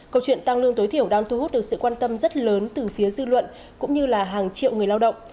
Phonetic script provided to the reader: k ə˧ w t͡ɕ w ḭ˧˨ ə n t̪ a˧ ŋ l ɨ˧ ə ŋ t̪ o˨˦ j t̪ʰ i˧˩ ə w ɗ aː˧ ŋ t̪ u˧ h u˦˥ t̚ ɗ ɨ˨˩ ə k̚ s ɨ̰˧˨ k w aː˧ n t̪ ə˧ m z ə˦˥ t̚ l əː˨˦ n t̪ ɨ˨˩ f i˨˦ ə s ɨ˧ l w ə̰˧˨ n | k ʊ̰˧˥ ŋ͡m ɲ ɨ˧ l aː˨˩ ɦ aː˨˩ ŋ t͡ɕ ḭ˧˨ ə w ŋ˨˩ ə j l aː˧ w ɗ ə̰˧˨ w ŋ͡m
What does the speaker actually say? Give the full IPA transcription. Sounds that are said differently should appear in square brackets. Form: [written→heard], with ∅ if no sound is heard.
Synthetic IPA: k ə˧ w t͡ɕ w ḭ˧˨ ə n t̪ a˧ ŋ l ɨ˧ ə ŋ t̪ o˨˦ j t̪ʰ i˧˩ ə w ɗ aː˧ ŋ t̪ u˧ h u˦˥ t̚ ɗ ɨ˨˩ ə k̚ s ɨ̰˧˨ k w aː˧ n t̪ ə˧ m z ə˦˥ t̚ l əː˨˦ n t̪ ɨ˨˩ f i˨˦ ə [s→z] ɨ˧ l w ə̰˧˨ n | k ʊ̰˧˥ ŋ͡m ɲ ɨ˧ l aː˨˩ ɦ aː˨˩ ŋ t͡ɕ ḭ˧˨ ə w ŋ˨˩ ə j l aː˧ w ɗ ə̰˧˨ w ŋ͡m